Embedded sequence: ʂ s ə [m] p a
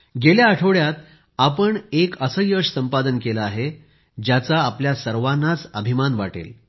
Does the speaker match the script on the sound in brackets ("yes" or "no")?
yes